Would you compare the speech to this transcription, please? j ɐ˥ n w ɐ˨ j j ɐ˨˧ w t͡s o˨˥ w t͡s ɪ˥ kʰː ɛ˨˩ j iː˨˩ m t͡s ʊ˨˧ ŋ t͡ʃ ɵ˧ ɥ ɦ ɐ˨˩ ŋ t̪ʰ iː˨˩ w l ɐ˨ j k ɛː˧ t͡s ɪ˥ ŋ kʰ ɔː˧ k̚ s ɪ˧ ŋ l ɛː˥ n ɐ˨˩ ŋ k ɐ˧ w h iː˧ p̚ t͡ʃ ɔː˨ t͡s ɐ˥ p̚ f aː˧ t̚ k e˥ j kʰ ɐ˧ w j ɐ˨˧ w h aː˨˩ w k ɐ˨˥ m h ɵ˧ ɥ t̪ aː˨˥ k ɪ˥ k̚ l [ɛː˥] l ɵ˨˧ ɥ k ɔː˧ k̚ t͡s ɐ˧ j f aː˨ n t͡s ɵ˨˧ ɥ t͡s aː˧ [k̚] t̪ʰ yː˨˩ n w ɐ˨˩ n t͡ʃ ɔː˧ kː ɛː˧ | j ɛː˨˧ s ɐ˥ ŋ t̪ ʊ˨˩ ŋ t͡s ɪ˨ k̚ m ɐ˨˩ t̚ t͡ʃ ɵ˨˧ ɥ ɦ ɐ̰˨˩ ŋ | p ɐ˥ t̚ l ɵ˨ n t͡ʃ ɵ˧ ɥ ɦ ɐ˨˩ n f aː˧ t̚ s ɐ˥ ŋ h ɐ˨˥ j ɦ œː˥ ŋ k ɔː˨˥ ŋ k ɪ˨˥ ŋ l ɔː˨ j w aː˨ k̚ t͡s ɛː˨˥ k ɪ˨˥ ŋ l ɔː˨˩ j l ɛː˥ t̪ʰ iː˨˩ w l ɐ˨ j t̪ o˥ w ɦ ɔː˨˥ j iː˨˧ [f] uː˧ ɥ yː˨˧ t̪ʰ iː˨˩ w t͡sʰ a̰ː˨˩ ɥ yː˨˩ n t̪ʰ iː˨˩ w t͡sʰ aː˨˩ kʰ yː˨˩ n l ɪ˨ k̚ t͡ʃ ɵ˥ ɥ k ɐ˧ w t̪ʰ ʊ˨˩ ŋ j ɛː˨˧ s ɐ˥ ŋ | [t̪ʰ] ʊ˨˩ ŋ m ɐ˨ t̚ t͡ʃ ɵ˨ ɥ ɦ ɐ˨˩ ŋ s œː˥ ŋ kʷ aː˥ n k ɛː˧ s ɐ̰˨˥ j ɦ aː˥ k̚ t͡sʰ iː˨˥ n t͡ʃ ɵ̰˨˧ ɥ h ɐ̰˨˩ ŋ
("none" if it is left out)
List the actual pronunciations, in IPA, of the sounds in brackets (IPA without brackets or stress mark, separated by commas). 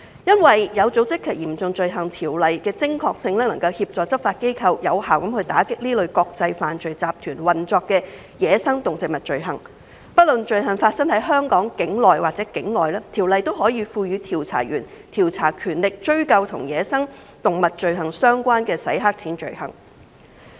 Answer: iː˥, p̚, f, t̪